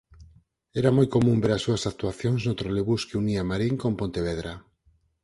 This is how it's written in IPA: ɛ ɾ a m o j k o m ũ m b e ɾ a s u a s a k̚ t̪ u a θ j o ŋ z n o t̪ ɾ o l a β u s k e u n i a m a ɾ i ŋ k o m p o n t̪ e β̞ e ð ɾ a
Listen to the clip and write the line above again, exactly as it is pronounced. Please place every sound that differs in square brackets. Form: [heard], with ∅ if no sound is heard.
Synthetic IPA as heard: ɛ ɾ a m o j k o m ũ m b e ɾ a s u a s a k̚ t̪ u a θ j o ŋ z n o t̪ ɾ o l [e] β u s k e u n i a m a ɾ i ŋ k o m p o n t̪ e β̞ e ð ɾ a